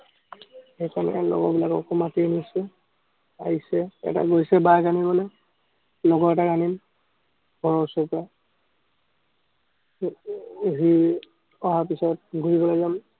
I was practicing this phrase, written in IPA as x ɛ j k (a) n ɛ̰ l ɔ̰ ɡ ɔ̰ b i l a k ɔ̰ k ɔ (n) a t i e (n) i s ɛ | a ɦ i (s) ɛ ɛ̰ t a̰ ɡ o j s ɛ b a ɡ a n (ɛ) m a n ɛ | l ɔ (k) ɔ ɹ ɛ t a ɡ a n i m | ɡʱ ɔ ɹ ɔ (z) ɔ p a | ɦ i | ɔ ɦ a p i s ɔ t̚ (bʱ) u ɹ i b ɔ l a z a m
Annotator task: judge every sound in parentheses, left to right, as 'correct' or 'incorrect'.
correct, incorrect: m, correct, correct, incorrect: i, incorrect: ɡ, incorrect: s, incorrect: ɡʱ

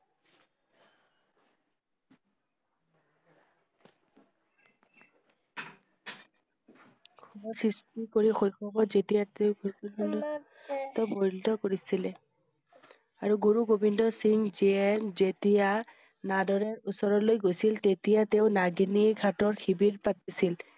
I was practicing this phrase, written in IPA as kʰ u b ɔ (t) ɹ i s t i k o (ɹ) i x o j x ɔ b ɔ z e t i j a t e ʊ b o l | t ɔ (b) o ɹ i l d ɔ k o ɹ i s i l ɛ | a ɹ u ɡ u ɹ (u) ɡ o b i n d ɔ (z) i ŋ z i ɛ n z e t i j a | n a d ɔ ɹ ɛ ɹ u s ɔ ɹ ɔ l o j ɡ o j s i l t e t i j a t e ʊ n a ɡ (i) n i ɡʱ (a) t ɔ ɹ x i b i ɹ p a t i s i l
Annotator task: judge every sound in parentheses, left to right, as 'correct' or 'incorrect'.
incorrect: s, correct, correct, correct, incorrect: s, correct, correct

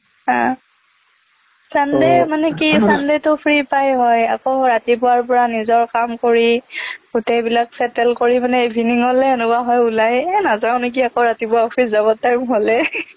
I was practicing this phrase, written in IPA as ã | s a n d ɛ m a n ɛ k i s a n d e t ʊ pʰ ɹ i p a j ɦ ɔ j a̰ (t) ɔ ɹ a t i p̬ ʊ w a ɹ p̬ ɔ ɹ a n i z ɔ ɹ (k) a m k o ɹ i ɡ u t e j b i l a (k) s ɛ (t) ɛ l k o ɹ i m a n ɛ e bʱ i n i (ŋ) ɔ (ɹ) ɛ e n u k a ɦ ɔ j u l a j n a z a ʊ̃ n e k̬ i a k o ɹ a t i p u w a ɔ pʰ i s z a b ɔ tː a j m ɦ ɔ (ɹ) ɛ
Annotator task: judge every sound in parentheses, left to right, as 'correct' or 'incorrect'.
incorrect: k, correct, correct, correct, correct, incorrect: l, incorrect: l

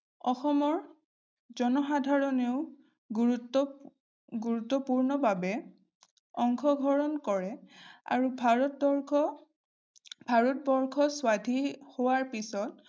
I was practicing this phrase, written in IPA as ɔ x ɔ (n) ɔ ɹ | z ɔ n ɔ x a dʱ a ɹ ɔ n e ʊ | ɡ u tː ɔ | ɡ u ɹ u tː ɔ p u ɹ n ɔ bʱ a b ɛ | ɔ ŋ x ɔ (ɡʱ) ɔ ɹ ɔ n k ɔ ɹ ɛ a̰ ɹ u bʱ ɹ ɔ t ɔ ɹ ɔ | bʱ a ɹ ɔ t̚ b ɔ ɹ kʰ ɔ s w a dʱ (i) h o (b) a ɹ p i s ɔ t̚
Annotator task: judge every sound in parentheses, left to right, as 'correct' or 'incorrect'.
incorrect: m, correct, correct, incorrect: w

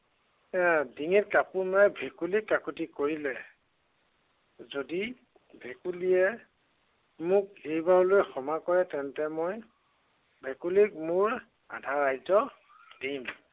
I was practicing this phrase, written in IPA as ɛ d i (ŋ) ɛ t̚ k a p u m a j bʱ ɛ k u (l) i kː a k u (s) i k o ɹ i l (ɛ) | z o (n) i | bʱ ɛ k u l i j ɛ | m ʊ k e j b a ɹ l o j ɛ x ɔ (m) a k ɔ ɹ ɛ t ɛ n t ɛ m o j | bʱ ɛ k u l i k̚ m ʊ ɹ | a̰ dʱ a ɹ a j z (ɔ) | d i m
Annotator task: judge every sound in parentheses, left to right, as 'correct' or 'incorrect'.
correct, correct, incorrect: t, correct, incorrect: d, correct, correct

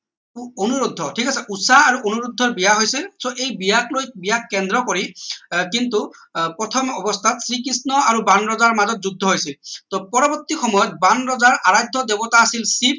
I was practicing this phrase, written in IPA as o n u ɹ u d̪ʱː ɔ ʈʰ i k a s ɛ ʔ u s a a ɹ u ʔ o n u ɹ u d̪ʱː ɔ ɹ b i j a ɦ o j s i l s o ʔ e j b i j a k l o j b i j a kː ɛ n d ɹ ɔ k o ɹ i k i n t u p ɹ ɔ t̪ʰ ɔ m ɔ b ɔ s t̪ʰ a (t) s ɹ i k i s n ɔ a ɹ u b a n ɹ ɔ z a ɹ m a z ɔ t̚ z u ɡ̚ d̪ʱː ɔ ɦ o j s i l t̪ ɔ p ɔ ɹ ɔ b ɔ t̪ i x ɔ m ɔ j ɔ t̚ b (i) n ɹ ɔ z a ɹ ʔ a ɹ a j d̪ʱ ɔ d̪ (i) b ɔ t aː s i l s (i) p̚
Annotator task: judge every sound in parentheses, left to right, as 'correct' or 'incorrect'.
correct, incorrect: a, incorrect: e, correct

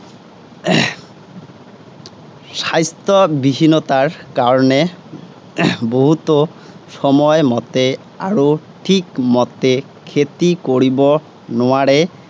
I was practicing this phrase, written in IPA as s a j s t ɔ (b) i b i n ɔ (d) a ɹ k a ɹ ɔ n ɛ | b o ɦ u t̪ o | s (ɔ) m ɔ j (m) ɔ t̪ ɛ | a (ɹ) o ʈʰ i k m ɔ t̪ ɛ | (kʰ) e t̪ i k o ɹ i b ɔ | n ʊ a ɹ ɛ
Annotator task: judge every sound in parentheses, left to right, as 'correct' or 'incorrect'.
correct, incorrect: t, correct, correct, correct, correct

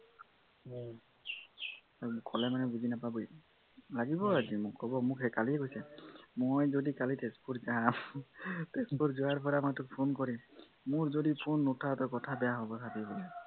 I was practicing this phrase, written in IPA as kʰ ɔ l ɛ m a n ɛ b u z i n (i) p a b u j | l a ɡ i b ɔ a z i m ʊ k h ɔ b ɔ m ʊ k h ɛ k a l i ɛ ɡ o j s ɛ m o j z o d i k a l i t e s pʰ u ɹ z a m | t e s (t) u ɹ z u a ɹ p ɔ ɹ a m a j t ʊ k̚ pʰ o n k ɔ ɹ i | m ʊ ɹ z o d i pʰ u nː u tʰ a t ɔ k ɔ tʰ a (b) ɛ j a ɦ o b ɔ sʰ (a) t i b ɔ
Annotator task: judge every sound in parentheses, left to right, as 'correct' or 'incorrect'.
incorrect: a, incorrect: p, correct, correct

